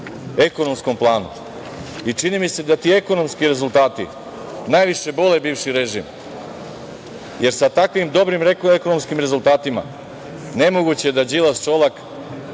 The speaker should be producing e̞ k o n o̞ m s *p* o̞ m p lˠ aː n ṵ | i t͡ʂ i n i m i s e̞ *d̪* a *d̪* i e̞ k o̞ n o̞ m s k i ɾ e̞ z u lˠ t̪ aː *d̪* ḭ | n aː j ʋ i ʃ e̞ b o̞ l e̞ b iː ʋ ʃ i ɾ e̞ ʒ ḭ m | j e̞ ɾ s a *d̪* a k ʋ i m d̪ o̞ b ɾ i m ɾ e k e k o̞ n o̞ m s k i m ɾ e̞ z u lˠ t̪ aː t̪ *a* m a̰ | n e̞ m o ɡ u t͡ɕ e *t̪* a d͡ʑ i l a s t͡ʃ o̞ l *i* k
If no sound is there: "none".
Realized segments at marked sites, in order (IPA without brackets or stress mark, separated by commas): k, d̪, t̪, t̪, t̪, i, d̪, a